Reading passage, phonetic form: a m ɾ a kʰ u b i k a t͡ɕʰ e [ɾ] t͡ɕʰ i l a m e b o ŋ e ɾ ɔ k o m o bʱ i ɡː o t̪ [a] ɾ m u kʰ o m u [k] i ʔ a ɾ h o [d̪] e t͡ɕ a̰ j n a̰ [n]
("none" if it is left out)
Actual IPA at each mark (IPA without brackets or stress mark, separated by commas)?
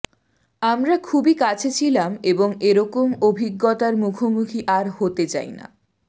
none, a, kʰ, t̪, none